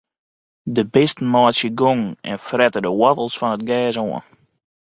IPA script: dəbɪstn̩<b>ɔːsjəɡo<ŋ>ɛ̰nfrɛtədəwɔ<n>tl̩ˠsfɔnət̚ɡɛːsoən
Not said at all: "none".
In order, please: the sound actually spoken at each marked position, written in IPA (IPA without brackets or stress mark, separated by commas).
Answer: m, ŋ, none